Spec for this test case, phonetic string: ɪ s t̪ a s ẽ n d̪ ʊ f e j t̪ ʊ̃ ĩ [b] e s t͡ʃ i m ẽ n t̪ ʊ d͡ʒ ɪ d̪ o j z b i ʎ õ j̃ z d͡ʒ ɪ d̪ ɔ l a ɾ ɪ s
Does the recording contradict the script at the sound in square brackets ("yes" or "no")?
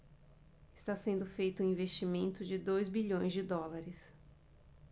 yes